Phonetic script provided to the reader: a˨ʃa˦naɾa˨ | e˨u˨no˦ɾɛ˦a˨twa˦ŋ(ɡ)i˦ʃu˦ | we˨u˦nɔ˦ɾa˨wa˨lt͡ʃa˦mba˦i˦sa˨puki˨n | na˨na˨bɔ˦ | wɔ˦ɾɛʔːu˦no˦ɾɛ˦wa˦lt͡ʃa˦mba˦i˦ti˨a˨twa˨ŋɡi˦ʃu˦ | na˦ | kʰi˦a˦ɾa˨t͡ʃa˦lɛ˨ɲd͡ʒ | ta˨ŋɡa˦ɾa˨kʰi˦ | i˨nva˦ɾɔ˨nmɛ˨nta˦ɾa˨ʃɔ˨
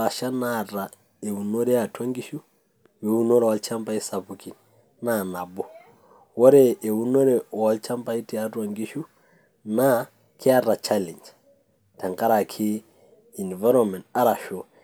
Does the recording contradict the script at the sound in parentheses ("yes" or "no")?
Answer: no